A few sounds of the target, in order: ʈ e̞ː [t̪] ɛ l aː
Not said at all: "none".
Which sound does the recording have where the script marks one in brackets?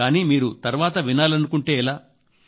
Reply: none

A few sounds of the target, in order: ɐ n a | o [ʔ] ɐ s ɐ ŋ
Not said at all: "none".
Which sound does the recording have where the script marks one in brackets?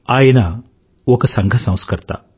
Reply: k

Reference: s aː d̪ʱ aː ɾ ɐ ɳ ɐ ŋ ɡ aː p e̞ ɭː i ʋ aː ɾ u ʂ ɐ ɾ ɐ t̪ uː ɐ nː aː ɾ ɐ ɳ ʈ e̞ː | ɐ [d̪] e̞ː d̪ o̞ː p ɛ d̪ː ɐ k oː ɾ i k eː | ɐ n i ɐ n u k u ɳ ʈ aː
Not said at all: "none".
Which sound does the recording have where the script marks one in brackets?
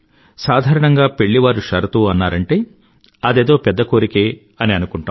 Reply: d̪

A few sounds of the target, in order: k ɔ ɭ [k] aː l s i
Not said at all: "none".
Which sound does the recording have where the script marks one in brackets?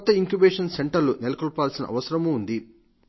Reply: p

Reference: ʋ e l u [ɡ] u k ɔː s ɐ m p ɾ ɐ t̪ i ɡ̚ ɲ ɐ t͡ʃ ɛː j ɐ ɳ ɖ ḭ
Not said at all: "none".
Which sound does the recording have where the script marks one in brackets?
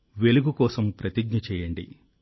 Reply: ɡ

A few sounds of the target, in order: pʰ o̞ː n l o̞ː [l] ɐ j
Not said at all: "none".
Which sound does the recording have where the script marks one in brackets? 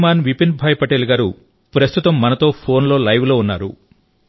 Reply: l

